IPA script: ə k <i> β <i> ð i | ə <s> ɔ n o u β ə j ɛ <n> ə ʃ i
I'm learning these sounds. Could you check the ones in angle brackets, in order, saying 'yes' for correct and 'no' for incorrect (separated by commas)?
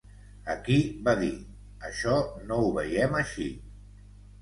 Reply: yes, no, no, no